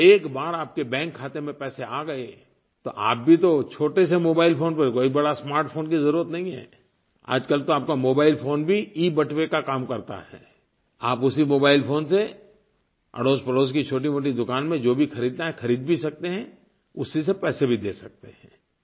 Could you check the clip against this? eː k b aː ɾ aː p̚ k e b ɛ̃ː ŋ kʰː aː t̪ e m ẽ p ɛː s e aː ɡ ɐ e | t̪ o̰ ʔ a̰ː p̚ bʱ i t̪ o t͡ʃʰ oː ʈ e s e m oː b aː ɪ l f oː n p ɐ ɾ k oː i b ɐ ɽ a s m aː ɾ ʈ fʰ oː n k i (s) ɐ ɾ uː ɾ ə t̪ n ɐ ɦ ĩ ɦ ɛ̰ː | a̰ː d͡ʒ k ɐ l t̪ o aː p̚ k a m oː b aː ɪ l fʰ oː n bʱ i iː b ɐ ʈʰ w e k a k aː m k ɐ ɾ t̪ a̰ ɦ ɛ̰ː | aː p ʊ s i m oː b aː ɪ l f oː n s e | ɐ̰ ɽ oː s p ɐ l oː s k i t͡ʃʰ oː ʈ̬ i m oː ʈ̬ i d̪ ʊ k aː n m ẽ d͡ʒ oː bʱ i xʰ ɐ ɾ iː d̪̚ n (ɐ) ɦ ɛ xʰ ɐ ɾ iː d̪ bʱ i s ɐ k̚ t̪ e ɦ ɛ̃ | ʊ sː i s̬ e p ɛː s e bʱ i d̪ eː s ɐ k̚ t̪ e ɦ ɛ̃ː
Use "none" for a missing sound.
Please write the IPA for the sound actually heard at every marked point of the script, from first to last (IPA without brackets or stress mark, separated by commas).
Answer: z, a